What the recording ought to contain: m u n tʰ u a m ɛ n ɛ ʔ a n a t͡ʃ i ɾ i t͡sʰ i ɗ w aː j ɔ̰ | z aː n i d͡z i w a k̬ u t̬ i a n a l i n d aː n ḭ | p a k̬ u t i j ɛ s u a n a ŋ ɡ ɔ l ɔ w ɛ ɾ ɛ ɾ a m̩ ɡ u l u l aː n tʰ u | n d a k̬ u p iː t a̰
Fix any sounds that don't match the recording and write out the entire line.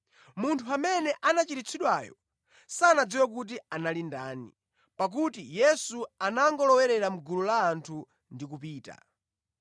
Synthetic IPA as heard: m u n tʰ u a m ɛ n ɛ ʔ a n a t͡ʃ i ɾ i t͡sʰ i ɗ w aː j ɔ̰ | s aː n a d͡z i w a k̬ u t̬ i a n a l i n d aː n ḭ | p a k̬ u t i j ɛ s u a n a ŋ ɡ ɔ l ɔ w ɛ ɾ ɛ ɾ a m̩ ɡ u l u l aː n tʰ u | n d i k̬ u p iː t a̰